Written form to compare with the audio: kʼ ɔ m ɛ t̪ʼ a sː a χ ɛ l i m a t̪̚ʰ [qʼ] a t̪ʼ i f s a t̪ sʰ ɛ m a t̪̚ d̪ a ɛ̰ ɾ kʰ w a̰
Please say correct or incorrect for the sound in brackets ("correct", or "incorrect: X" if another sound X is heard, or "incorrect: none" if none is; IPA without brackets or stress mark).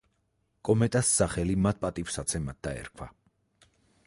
incorrect: pʼ